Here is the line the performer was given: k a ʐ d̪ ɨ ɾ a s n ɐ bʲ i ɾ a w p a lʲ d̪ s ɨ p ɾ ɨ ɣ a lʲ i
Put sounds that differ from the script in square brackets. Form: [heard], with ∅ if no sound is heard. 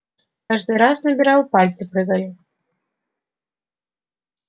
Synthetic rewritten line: k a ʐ d̪ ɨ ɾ a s n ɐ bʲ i ɾ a w p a lʲ [t̪] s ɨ p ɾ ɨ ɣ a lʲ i